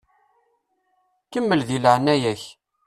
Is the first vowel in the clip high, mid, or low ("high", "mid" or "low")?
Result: mid